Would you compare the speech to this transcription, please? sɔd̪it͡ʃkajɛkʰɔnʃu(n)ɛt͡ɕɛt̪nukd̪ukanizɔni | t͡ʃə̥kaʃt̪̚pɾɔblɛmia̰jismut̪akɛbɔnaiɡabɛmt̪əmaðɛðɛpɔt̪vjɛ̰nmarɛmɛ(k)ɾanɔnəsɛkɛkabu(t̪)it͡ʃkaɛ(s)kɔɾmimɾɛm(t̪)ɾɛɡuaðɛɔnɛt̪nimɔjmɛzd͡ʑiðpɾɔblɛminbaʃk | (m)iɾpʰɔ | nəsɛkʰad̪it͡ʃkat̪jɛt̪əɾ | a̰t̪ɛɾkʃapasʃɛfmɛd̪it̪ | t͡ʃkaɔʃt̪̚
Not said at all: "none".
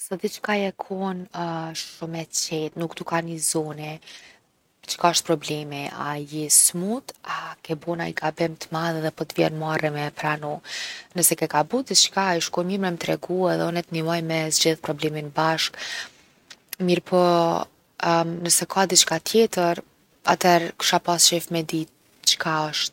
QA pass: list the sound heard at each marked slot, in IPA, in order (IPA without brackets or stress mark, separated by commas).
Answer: m, p, d̪, ʃ, t̪, m